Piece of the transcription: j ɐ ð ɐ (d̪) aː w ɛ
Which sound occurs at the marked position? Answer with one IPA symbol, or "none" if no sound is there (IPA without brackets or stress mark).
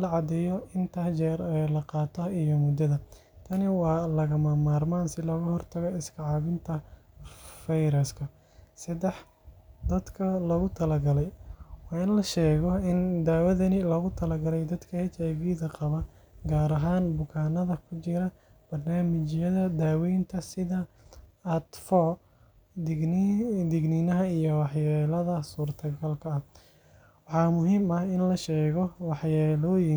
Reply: d̪